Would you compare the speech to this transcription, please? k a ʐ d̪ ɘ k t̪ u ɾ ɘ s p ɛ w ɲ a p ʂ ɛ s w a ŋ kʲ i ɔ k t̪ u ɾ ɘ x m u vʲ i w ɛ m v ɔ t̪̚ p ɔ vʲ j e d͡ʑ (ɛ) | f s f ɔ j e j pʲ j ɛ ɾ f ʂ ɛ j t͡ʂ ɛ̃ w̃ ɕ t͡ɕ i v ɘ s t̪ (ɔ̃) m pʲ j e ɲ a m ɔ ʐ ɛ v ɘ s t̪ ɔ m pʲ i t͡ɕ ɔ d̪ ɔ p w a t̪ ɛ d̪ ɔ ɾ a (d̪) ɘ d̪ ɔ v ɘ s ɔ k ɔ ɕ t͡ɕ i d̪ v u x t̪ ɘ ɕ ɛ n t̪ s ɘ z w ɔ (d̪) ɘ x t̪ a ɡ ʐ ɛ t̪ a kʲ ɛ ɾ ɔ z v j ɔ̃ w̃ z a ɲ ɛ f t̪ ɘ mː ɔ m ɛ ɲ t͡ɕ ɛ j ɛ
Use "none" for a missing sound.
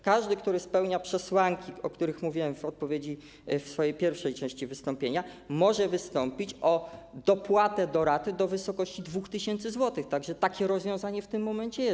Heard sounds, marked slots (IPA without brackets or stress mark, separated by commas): i, ɔ, t̪, t̪